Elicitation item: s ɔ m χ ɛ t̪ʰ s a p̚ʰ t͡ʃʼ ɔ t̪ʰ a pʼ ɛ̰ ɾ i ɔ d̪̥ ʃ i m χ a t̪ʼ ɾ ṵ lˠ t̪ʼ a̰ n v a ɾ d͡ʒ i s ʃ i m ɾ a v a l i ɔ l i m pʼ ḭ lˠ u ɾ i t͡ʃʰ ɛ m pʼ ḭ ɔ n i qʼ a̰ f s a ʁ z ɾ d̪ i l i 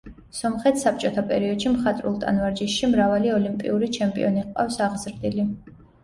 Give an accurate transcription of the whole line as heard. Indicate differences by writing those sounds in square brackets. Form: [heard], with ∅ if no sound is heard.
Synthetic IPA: s ɔ m χ ɛ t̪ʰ s a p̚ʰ t͡ʃʼ ɔ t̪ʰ a pʼ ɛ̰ ɾ i ɔ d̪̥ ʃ i m χ a t̪ʼ ɾ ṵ lˠ t̪ʼ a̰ n v a ɾ d͡ʒ i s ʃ i m ɾ a v a l i ɔ l i m pʼ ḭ [∅] u ɾ i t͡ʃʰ ɛ m pʼ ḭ ɔ n i qʼ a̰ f s a ʁ z ɾ d̪ i l i